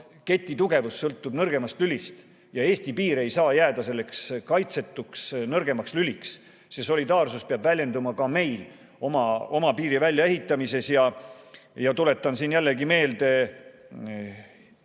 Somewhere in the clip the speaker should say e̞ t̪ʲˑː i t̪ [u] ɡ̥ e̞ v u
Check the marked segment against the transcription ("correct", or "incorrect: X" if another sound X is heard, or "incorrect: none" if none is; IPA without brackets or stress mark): correct